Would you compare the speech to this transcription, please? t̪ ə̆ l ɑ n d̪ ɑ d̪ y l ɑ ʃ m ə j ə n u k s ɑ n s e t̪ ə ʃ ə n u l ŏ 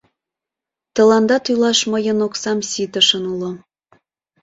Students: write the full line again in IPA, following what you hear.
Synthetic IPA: t̪ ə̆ l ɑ n d̪ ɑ t̪ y l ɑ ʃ m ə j ə n o k s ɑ m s i t̪ ə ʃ ə n u l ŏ